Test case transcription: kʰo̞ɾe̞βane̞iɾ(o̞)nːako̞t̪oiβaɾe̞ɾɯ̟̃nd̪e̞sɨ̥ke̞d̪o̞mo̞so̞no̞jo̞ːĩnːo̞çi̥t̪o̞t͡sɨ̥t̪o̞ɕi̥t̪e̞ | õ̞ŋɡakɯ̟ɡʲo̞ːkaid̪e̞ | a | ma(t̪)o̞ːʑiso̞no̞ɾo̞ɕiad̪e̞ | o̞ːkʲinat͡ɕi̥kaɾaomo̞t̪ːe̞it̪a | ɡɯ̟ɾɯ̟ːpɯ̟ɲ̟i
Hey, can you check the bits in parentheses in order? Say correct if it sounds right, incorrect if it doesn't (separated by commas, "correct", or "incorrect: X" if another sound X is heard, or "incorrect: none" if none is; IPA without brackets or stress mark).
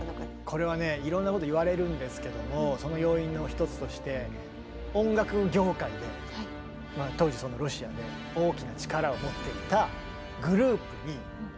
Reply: incorrect: õ̞, correct